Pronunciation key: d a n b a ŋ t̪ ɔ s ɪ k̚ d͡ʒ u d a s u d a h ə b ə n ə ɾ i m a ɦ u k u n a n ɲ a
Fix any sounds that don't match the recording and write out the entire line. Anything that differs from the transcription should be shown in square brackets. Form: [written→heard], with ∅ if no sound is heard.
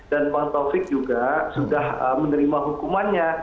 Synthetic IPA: d a n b a ŋ t̪ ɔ [s→f] ɪ k̚ d͡ʒ u [d→ɡ] a s u d a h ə [b→m] ə n ə ɾ i m a ɦ u k u [n→m] a n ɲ a